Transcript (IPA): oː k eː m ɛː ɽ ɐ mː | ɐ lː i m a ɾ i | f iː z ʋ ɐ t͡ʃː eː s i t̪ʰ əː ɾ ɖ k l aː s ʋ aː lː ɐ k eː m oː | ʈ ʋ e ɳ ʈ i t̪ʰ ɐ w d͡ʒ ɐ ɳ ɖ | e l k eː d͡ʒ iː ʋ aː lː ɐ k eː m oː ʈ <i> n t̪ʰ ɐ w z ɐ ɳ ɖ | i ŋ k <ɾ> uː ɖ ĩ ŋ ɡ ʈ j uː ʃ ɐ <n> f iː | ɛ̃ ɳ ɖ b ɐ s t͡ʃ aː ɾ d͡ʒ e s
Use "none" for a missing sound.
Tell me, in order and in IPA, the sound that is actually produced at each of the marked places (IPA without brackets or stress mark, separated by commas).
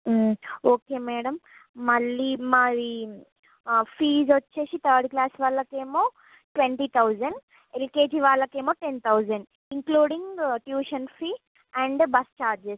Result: e, l, n